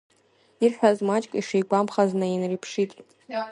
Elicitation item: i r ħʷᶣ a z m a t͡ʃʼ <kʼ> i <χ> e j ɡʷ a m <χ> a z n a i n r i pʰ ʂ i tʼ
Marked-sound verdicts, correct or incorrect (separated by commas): correct, incorrect, correct